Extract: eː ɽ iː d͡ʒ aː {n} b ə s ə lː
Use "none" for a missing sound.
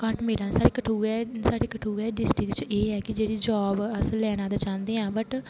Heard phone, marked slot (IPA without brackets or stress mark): none